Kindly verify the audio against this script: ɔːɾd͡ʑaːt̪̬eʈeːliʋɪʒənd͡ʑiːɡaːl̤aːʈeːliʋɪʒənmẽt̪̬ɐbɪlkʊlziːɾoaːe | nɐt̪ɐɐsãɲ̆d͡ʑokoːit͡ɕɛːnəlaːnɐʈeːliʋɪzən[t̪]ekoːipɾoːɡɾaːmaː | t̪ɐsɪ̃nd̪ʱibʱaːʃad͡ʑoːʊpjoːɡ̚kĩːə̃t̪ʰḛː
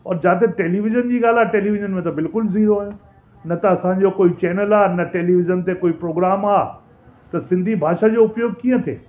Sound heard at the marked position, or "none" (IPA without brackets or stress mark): t̪